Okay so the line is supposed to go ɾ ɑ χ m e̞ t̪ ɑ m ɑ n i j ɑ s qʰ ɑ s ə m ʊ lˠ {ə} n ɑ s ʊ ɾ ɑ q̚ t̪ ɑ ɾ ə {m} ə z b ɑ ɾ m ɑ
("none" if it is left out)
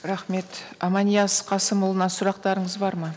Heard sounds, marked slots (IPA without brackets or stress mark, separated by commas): ə, ɴ